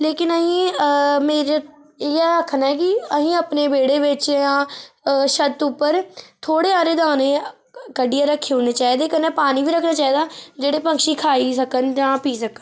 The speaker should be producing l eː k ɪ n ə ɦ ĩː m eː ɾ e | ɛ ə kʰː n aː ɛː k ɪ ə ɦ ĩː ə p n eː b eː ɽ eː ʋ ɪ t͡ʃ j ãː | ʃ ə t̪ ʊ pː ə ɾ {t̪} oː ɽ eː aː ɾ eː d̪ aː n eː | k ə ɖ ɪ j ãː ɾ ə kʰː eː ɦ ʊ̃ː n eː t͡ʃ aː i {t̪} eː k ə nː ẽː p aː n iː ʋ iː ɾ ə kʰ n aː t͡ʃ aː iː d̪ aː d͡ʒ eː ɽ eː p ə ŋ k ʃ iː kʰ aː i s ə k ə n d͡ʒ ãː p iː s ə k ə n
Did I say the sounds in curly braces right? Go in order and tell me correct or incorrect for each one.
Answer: incorrect: t̪ʰ, incorrect: d̪

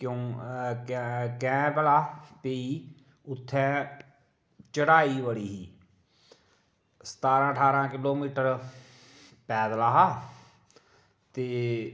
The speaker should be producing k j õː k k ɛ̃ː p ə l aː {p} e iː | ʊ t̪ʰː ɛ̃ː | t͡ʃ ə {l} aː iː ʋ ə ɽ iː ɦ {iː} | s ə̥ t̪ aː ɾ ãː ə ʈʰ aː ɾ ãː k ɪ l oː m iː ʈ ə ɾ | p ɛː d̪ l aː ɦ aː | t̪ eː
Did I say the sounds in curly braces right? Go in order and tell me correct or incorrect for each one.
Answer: correct, incorrect: ɽ, correct

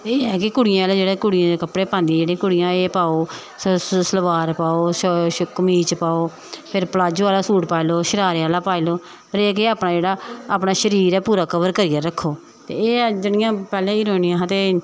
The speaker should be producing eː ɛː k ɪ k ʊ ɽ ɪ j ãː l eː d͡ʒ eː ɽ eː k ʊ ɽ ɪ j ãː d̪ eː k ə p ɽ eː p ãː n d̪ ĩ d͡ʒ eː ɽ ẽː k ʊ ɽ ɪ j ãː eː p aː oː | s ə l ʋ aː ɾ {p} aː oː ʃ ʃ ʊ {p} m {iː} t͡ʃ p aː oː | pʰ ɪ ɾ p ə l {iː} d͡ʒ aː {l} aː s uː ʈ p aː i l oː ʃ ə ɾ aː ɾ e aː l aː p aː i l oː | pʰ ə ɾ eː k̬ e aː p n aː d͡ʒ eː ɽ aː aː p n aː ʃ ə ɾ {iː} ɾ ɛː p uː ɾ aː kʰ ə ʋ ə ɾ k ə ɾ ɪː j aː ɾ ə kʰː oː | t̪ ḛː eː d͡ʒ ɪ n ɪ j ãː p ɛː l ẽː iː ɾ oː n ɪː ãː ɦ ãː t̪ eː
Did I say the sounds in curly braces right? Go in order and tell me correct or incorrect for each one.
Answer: correct, incorrect: k, correct, incorrect: aː, correct, correct

